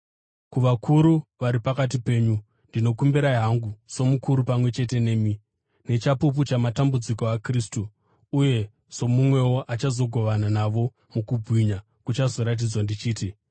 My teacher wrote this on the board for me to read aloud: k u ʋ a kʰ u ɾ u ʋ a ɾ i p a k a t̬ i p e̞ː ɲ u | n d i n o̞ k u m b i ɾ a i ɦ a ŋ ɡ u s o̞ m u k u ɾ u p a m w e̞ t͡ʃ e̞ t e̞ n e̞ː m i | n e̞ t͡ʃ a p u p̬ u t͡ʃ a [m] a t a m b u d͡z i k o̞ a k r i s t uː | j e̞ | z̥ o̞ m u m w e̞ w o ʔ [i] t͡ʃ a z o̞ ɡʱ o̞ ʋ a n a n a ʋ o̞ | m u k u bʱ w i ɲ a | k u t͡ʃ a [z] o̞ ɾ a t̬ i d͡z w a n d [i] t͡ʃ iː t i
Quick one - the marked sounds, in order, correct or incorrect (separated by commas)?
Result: correct, incorrect, correct, correct